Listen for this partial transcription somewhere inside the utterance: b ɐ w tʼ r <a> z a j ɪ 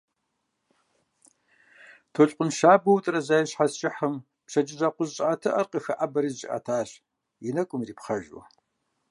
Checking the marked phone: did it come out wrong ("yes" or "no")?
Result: yes